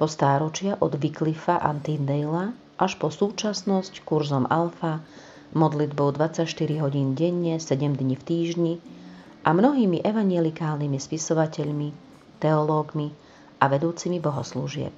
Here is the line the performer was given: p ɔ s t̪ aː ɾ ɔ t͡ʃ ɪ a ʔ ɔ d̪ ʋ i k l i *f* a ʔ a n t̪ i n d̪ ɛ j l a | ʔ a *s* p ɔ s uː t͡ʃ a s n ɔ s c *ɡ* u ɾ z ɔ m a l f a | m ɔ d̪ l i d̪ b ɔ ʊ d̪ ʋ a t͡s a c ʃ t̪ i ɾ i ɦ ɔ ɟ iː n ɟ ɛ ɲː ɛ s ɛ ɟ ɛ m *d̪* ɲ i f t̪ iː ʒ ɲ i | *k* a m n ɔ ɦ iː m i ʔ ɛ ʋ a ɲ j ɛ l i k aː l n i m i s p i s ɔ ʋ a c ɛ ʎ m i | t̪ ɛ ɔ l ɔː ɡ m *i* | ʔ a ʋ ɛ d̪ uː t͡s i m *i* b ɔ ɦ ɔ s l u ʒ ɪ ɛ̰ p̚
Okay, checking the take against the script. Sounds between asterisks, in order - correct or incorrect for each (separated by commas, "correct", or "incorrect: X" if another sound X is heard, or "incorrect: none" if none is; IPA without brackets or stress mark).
correct, incorrect: ʃ, incorrect: k, correct, incorrect: ʔ, correct, correct